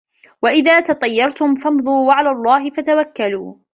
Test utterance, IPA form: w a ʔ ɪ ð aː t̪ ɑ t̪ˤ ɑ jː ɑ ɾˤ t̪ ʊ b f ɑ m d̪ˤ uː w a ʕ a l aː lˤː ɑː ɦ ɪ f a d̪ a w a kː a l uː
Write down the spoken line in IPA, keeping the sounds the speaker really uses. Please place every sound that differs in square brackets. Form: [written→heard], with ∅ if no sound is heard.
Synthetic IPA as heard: w a ʔ ɪ ð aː t̪ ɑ t̪ˤ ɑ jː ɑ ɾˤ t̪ ʊ [b→m] f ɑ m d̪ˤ uː w a ʕ a l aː lˤː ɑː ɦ ɪ f a [d̪→t̪] a w a kː a l uː